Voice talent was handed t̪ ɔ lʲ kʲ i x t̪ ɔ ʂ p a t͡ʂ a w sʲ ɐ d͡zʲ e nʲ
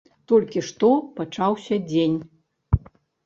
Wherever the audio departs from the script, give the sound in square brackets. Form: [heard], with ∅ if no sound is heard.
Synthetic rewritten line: t̪ ɔ lʲ kʲ i [ʂ] t̪ ɔ [∅] p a t͡ʂ a w sʲ ɐ d͡zʲ e nʲ